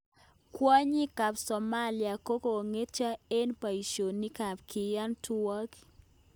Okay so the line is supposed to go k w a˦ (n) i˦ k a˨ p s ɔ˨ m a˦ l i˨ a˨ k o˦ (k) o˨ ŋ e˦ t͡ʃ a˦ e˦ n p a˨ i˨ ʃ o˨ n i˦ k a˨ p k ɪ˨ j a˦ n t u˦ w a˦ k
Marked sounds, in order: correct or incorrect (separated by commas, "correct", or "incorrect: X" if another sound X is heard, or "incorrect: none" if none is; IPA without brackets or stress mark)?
incorrect: ɲ, correct